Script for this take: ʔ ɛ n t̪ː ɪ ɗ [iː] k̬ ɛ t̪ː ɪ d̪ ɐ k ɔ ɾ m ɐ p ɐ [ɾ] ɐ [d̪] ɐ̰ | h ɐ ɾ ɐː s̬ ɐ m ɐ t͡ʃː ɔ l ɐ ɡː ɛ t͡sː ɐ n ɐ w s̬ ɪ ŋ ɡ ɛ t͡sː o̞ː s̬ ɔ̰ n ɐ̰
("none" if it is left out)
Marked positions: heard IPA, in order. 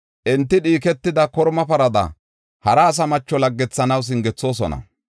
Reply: iː, ɾ, d̪

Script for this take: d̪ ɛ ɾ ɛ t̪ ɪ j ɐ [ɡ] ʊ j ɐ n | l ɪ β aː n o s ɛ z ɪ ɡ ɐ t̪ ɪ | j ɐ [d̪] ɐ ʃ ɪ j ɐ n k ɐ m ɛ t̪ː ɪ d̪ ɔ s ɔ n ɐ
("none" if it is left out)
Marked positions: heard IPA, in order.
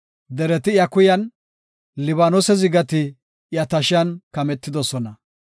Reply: k, t̪

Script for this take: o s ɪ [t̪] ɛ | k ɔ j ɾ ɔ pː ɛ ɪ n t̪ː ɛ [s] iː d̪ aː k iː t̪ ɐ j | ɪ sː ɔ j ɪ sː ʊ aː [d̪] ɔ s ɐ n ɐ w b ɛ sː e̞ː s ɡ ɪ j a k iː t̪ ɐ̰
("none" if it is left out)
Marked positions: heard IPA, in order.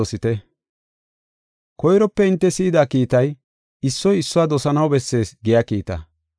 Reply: t̪, s, d̪

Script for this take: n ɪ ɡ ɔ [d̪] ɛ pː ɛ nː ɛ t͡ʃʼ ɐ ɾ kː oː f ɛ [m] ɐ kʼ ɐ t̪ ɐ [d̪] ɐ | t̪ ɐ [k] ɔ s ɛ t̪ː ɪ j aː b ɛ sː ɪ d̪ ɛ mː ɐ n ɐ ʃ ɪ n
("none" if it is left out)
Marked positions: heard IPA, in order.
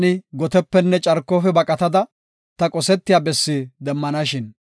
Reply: t̪, b, d̪, kʼ

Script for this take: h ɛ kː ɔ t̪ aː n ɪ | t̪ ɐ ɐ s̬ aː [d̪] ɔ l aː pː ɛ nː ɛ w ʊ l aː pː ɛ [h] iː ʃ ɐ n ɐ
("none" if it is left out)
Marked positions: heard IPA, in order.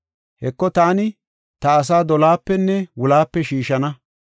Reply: d̪, ʃ

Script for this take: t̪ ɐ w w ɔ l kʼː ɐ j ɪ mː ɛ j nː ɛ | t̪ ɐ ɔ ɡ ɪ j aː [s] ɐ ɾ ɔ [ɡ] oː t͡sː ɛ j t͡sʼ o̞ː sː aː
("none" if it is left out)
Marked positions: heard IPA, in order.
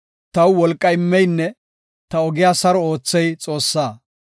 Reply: s, none

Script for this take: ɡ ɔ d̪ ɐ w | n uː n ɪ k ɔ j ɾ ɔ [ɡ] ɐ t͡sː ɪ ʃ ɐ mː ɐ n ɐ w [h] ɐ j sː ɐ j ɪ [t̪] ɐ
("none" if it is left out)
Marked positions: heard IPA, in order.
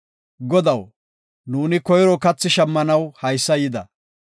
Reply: k, h, d̪

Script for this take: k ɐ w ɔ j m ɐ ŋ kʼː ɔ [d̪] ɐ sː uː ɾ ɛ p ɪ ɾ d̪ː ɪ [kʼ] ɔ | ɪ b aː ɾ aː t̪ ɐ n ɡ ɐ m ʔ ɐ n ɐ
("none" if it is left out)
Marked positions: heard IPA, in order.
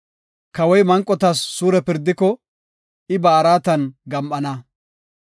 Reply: t̪, k

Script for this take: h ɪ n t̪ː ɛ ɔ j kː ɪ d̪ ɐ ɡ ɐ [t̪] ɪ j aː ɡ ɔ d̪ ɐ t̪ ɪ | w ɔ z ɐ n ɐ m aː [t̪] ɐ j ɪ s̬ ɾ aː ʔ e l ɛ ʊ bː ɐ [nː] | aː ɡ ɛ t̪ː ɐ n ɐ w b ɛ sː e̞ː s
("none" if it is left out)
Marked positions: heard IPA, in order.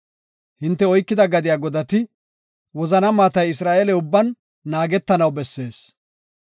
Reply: d̪, t̪, nː

